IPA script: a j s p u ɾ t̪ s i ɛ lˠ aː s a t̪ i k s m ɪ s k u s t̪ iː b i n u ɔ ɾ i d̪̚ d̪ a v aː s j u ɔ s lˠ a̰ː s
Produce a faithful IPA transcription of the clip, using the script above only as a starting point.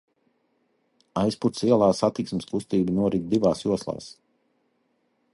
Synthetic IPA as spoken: a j s p u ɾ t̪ s i ɛ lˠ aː s a t̪ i k s m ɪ s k u s t̪ iː b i n u ɔ ɾ i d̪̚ d̪ i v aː s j u ɔ s lˠ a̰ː s